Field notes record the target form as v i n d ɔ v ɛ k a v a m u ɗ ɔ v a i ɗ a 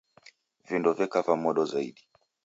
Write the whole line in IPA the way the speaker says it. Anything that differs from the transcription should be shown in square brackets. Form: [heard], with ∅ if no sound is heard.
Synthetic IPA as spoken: v i n d ɔ v ɛ k a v a m [ɔ] ɗ ɔ [z] a i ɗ [i]

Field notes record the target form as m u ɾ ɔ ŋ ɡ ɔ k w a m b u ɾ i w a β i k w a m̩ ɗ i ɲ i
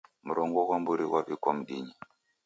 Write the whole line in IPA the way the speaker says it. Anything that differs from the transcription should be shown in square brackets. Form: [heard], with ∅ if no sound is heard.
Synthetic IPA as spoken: m u ɾ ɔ ŋ ɡ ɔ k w a m b u ɾ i w a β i k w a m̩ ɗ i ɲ i

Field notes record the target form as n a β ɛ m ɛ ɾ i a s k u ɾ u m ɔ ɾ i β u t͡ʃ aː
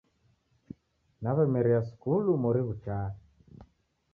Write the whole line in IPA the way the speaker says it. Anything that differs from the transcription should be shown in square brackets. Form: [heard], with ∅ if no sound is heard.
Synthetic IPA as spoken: n a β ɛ m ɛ ɾ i a s k u [l] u m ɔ ɾ i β u t͡ʃ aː

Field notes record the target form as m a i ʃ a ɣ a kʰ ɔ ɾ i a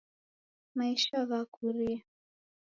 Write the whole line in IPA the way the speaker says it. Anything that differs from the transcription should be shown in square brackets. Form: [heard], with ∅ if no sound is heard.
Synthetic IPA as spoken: m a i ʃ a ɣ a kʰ [u] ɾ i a

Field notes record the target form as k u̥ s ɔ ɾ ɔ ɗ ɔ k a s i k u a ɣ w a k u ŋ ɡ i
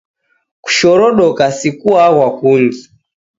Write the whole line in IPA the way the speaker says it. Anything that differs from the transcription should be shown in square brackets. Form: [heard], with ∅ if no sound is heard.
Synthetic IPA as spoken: k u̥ [ʃ] ɔ ɾ ɔ ɗ ɔ k a s i k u a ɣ w a k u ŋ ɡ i

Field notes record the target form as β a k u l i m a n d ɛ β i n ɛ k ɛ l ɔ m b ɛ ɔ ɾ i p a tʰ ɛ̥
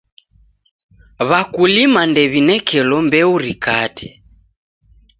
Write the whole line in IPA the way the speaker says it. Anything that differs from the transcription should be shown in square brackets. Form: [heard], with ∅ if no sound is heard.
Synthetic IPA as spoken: β a k u l i m a n d ɛ β i n ɛ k ɛ l ɔ m b ɛ [u] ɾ i [k] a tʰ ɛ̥

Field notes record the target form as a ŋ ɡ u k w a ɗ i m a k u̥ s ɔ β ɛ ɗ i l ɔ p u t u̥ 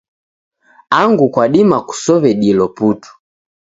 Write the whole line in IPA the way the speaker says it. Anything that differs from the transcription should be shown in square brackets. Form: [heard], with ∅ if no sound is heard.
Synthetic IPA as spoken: a ŋ ɡ u k w a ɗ i m a k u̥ s ɔ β ɛ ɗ i l ɔ p u t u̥

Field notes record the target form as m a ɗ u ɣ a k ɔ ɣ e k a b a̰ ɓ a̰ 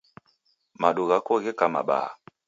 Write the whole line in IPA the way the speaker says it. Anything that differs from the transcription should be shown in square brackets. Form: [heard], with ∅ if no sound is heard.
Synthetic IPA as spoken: m a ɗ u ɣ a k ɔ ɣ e k a [m] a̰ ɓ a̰

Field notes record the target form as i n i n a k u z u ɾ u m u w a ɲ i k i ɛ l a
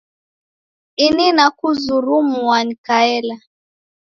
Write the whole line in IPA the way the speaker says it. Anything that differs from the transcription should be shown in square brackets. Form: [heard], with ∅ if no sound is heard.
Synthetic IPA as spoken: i n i n a k u z u ɾ u m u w a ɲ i k [a] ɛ l a

